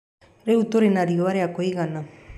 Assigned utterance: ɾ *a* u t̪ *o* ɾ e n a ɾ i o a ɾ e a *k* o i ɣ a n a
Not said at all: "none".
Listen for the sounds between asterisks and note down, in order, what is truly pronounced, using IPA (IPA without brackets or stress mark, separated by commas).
e, o, k